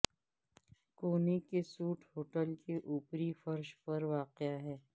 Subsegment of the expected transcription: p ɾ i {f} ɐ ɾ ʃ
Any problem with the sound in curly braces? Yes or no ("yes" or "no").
no